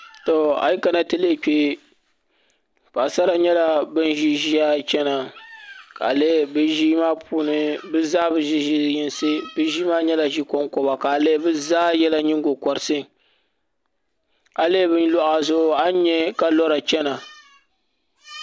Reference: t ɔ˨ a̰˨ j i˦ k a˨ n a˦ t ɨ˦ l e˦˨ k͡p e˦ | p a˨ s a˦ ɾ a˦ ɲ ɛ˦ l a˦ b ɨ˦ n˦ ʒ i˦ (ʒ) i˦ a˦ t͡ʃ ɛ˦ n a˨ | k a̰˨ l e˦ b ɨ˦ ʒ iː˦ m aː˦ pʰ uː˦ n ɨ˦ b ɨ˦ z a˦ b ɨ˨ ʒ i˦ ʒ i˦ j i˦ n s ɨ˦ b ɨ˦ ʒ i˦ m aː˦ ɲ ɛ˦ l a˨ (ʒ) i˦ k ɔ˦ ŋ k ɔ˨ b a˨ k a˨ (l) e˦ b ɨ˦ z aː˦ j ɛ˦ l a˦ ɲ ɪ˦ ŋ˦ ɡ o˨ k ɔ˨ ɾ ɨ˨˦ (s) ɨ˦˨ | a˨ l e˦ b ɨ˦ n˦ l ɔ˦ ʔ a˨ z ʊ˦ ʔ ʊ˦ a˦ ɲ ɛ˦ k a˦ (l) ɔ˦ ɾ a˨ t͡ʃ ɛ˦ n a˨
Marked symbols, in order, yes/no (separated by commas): yes, yes, yes, yes, yes